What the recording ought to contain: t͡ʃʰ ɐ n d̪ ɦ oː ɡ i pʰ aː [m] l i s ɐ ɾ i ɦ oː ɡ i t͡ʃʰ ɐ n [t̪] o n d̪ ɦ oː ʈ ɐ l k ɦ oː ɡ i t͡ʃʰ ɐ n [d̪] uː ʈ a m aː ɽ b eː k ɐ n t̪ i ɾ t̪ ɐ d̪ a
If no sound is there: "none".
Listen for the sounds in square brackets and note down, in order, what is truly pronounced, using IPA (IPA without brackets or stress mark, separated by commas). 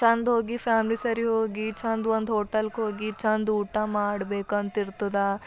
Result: m, d̪, d̪